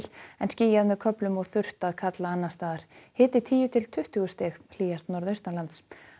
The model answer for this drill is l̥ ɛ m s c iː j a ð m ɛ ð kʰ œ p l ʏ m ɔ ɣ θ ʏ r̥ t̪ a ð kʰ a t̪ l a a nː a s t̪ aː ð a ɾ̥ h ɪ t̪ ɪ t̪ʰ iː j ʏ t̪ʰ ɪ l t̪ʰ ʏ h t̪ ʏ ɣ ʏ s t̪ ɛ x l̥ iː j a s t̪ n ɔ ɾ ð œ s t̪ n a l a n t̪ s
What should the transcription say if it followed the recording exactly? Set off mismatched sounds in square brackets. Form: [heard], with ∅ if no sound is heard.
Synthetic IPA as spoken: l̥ ɛ [n] s c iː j a ð m ɛ ð kʰ œ p l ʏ m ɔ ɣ θ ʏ r̥ t̪ a ð kʰ a t̪ l a a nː a s t̪ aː ð a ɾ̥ h [ɪː] t̪ ɪ t̪ʰ iː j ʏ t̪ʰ ɪ l t̪ʰ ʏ h t̪ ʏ ɣ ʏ s t̪ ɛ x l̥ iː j a s t̪ n ɔ ɾ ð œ s t̪ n a l a n t̪ s